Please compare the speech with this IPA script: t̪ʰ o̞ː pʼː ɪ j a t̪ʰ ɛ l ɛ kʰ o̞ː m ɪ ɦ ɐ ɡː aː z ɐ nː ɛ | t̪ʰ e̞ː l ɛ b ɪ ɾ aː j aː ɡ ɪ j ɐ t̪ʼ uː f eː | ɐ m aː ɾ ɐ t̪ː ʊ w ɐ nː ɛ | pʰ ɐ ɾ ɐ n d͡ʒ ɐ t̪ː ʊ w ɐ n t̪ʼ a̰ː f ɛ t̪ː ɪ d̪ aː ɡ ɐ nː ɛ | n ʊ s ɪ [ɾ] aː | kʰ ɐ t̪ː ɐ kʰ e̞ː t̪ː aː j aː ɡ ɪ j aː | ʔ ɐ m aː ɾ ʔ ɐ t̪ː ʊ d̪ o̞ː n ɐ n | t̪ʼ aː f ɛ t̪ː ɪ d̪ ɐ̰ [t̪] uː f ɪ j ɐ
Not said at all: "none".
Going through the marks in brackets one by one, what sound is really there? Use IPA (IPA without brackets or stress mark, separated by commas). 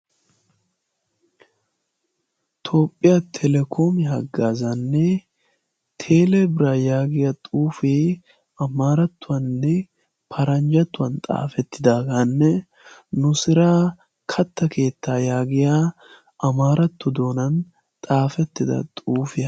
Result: ɾ, t̪ʼ